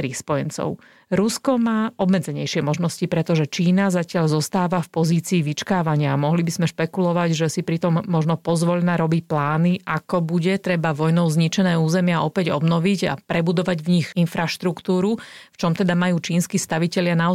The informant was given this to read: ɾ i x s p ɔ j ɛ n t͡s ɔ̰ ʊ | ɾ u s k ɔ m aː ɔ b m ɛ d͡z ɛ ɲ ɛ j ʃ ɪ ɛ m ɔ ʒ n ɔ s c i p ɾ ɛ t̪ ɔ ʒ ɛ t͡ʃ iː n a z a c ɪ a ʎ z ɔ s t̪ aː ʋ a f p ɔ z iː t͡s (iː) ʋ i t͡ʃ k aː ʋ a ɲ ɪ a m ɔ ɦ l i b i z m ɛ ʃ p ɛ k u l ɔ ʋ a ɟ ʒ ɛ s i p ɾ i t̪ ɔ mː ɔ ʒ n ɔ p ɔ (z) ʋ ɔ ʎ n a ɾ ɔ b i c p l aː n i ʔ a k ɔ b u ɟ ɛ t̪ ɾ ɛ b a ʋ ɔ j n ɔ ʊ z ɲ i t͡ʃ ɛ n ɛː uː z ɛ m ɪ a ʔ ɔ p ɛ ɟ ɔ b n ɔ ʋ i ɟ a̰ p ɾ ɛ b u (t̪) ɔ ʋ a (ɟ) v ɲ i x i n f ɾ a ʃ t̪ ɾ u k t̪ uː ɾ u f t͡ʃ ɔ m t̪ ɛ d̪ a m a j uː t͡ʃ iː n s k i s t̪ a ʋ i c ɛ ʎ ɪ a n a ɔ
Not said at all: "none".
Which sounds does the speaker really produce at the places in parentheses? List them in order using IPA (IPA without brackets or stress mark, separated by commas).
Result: iː, z, d̪, ɟ